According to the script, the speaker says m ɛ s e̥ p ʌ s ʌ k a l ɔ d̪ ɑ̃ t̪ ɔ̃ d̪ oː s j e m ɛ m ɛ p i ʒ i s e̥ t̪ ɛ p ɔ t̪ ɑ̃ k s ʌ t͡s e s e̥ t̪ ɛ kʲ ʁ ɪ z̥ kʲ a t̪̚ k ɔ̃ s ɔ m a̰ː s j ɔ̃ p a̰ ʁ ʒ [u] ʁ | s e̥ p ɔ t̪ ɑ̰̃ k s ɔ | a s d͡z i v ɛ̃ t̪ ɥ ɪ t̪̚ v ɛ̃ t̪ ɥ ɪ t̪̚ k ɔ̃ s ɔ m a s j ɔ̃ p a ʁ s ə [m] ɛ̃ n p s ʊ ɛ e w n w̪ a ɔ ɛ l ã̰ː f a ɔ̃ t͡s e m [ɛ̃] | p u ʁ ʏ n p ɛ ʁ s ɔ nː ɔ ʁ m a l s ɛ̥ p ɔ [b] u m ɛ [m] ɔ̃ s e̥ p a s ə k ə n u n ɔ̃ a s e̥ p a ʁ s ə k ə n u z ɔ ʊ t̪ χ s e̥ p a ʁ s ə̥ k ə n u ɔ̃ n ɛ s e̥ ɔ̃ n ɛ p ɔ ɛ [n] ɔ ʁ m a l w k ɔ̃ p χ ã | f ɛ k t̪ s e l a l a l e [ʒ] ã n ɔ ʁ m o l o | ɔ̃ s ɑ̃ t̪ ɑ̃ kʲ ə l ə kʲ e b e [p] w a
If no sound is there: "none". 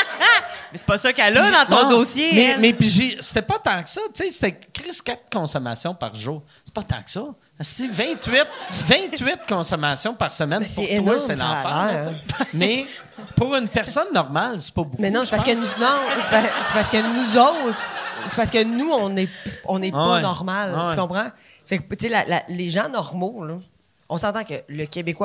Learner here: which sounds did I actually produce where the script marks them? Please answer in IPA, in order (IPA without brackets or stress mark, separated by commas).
uː, m, ɛ, b, n, n, ʒ, k